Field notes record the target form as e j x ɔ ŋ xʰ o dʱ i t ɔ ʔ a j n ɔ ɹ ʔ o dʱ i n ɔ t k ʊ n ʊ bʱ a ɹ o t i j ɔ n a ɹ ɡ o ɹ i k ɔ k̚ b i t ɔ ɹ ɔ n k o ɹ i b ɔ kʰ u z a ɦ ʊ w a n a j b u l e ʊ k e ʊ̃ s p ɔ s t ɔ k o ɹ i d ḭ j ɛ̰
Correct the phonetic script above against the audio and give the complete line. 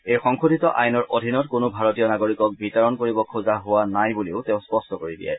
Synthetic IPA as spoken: e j x ɔ ŋ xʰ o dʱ i t ɔ ʔ a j n ɔ ɹ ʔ o dʱ i n ɔ t k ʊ n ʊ bʱ a ɹ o t i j ɔ n a ɡ o ɹ i k ɔ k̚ b i t ɔ ɹ ɔ n k o ɹ i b ɔ kʰ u z a ɦ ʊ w a n a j b u l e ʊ t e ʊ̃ s p ɔ s t ɔ k o ɹ i d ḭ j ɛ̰